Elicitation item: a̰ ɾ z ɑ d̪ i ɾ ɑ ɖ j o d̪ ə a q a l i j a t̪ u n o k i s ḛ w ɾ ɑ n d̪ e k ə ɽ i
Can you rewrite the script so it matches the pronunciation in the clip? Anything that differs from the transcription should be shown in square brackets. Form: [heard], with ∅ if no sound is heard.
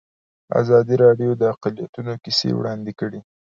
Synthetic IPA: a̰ [∅] z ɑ d̪ i ɾ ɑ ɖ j o d̪ ə a q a l i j a t̪ u n o k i s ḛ w [ɽ] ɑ n d̪ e k ə ɽ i